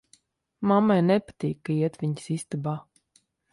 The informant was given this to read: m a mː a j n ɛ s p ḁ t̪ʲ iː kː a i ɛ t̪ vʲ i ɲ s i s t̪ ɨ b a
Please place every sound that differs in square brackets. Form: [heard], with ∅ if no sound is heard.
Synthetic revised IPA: m a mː a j n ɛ [∅] p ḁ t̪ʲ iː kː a i ɛ t̪ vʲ i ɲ s i s t̪ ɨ b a